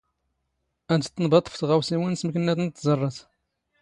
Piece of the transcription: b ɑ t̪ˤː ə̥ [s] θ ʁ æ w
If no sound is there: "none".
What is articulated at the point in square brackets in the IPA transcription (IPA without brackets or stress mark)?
f